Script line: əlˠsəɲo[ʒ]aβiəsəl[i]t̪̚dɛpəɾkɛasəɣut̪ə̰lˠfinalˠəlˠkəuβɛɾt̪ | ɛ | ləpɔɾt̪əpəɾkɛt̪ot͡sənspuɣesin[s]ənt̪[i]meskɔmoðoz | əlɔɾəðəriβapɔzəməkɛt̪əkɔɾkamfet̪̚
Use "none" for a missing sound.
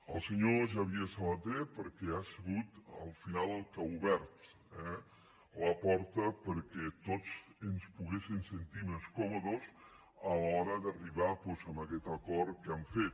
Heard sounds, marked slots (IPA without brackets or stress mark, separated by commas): ʒ, a, s, i